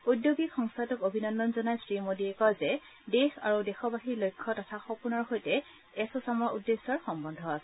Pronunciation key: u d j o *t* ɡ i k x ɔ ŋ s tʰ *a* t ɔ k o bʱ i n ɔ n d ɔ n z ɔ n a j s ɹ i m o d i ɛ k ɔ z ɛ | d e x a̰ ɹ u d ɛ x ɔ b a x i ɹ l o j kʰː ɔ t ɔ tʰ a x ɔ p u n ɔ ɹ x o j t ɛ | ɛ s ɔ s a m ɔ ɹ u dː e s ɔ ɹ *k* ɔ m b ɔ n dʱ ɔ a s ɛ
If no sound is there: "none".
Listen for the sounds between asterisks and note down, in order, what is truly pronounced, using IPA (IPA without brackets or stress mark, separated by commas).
none, a, x